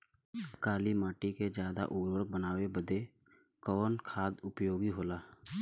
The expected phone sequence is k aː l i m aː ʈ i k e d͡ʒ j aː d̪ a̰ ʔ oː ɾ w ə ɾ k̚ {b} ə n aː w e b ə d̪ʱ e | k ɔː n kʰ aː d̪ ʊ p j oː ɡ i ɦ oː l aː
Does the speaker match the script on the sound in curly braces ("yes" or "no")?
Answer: yes